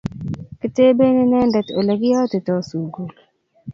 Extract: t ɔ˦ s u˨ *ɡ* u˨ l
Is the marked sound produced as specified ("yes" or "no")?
yes